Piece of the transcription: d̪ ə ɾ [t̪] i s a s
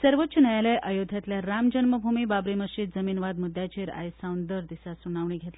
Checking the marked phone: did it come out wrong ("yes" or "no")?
yes